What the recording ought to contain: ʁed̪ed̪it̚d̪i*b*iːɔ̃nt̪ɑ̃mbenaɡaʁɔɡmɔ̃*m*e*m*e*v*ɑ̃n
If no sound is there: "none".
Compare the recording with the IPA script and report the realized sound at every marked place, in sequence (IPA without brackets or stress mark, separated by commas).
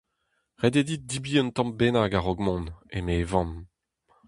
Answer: b, n, m, v